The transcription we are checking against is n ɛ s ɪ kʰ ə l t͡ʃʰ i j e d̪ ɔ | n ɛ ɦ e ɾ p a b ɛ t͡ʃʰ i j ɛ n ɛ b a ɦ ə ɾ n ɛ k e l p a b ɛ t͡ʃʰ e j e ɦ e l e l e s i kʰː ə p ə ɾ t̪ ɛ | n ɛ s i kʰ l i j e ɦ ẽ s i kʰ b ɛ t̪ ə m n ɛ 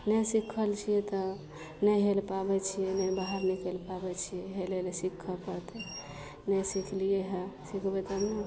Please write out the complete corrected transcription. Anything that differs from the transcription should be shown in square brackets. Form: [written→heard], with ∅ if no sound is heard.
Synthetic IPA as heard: n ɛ s [ɪ→i] kʰ ə l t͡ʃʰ i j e [d̪→t̪] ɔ | n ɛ ɦ e [ɾ→l] p a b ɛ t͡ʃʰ i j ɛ n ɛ b a ɦ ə ɾ n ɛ k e l p a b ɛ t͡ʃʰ [e→i] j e ɦ e l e l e s i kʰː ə p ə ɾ t̪ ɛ | n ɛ s i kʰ l i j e ɦ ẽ s i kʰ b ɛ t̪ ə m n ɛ